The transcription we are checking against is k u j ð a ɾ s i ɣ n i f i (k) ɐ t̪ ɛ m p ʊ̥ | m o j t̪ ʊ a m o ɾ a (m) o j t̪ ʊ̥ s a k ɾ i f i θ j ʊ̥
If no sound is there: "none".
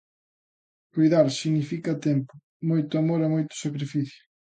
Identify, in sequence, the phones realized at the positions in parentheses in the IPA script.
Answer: k, m

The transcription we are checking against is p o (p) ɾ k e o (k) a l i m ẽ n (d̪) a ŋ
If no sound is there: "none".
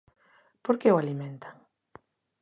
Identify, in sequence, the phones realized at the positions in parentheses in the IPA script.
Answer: none, none, t̪

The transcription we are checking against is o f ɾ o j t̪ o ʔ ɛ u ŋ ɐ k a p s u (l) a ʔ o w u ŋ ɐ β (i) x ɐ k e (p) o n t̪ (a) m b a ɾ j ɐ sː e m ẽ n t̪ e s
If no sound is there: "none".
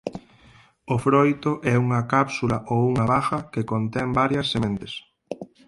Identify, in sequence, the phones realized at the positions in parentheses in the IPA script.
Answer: l, a, k, ɛ

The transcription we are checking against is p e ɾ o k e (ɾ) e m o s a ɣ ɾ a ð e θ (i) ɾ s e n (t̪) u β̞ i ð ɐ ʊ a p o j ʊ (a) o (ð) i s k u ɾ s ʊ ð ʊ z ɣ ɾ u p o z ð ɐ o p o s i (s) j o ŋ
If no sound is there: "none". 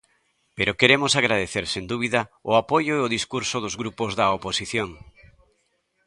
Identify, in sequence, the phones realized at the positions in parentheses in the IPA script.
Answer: ɾ, e, d̪, e, ð, θ

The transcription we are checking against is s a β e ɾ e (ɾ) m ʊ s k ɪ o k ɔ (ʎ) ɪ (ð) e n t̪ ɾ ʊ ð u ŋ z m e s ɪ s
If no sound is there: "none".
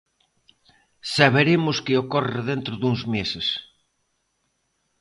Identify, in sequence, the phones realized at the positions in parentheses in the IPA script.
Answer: none, r, ð

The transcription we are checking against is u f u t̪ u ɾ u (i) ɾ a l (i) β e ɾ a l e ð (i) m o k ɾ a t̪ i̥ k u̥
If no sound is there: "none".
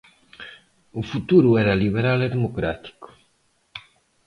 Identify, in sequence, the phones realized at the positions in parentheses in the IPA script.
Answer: ɛ, i, e

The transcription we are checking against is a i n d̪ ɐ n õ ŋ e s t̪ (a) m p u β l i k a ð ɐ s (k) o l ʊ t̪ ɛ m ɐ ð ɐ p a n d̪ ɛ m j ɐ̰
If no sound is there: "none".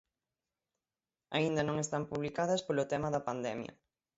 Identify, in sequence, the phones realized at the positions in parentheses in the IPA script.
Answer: a, p

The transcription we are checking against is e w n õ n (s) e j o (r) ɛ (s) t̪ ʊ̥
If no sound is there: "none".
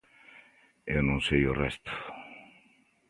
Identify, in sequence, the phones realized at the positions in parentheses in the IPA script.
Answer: s, r, s

